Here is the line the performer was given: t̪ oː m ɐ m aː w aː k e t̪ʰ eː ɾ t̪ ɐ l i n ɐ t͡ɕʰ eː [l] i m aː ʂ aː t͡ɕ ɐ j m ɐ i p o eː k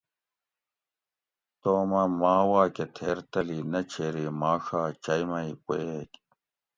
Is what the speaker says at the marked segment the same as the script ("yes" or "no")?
no